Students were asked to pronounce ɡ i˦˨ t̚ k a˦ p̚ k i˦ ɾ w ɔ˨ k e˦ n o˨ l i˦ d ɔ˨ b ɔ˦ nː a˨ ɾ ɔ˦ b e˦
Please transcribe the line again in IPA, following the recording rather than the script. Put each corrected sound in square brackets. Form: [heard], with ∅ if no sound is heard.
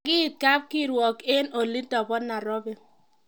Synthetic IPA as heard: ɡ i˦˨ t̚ k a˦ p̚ k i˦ ɾ w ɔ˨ k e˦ n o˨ l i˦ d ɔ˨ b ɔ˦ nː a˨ ɾ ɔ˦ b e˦